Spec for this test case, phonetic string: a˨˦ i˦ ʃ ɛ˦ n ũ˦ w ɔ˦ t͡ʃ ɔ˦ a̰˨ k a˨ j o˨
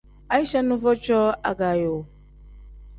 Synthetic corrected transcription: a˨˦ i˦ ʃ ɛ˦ n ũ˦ v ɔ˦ t͡ʃ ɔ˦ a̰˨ ɡ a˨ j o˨